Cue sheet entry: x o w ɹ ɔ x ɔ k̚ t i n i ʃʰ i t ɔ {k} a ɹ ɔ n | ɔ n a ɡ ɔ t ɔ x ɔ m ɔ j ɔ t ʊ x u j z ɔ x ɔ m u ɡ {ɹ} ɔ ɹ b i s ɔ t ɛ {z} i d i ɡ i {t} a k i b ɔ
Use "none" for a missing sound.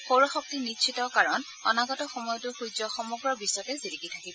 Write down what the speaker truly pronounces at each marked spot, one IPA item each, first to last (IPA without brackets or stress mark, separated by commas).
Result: k, ɹ, z, tʰ